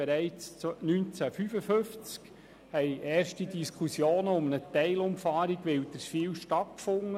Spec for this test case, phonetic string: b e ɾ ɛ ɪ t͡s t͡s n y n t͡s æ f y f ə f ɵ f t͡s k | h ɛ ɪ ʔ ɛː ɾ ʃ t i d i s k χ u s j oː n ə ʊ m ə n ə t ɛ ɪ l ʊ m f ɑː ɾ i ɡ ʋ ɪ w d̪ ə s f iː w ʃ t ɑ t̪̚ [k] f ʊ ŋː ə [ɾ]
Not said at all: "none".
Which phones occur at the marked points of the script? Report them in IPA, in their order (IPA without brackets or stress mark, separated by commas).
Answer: k, none